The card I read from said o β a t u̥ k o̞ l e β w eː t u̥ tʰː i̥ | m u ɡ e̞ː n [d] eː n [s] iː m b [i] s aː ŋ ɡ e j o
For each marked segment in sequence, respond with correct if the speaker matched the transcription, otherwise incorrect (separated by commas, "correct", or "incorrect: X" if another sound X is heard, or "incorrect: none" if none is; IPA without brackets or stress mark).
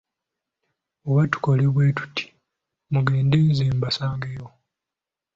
correct, incorrect: z, incorrect: a